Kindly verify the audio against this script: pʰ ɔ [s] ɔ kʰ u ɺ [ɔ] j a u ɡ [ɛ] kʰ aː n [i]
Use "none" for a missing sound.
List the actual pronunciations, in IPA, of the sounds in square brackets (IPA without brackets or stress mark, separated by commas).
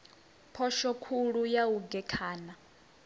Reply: ʃ, u, ɛ, a